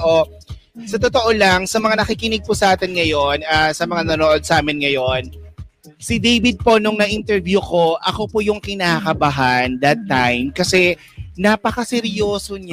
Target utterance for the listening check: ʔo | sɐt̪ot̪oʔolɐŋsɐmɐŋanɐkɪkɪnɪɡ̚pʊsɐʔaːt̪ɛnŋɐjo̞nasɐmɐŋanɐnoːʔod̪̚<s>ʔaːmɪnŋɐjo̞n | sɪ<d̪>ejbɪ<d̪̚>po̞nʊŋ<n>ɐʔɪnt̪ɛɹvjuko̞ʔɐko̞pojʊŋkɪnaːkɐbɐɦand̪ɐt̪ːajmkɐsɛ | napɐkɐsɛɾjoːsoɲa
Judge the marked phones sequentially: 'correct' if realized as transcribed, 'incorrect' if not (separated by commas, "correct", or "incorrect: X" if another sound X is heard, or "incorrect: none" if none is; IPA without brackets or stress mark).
correct, correct, correct, correct